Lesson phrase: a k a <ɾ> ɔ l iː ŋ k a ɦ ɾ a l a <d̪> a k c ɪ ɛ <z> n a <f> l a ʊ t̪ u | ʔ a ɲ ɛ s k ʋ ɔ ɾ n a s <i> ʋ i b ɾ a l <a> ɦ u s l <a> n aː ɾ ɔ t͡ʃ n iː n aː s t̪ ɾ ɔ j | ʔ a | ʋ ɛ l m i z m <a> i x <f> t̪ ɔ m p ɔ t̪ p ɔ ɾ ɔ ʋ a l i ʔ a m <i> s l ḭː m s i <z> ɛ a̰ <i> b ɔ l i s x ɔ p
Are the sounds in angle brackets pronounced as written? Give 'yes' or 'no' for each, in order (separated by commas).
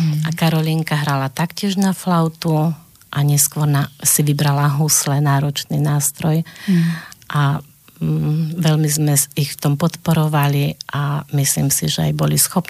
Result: yes, no, no, yes, yes, yes, no, no, yes, yes, no, no